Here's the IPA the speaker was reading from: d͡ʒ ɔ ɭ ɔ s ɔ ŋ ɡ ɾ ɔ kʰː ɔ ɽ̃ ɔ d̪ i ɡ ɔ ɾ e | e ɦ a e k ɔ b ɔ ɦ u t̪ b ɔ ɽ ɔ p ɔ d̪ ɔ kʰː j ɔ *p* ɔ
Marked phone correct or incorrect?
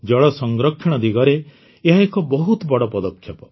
correct